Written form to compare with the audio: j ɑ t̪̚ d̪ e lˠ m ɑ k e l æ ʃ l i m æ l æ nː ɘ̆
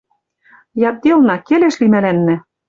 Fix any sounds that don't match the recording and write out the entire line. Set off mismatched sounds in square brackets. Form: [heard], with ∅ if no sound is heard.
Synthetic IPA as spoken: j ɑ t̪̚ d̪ e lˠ [n] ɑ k e l [e] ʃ l i m æ l æ nː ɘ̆